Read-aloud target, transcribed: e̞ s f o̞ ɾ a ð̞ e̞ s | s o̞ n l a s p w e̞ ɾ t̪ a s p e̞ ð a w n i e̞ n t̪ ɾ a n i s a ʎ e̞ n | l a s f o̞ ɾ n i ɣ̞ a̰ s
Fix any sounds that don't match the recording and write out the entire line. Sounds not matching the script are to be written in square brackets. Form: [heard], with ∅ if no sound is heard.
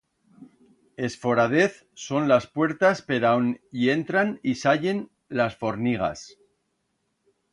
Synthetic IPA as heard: e̞ s f o̞ ɾ a ð̞ e̞ [θ] | s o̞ n l a s p w e̞ ɾ t̪ a s p e̞ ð a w n i e̞ n t̪ ɾ a n i s a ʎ e̞ n | l a s f o̞ ɾ n i ɣ̞ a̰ s